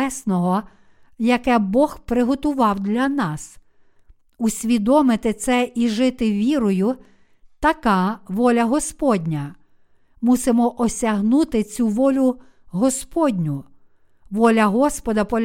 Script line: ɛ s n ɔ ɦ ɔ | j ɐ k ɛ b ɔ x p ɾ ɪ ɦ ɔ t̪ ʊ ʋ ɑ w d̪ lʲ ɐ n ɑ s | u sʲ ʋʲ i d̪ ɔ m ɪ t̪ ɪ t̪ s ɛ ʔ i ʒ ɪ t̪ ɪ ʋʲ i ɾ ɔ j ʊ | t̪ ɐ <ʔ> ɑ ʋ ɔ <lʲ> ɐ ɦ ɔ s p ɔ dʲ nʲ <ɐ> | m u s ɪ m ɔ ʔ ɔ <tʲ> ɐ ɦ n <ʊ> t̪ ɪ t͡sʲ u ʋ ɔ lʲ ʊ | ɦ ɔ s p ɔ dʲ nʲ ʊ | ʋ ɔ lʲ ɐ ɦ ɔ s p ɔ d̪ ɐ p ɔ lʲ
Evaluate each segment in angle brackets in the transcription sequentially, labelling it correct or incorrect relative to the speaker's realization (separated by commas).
incorrect, correct, correct, incorrect, incorrect